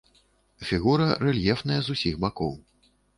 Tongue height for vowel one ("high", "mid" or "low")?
high